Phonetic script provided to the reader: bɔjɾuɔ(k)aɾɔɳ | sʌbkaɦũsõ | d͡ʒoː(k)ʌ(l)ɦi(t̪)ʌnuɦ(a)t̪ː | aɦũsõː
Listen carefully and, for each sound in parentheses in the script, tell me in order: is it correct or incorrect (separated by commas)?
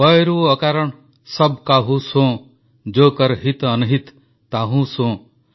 correct, correct, incorrect, correct, incorrect